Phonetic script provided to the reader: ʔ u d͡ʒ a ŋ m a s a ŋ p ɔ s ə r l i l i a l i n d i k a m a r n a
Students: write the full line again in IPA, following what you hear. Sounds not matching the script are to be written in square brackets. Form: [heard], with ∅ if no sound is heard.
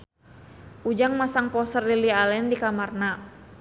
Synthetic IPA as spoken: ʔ u d͡ʒ a ŋ m a s a ŋ p ɔ s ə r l i l i a l [ɛ] n d i k a m a r n a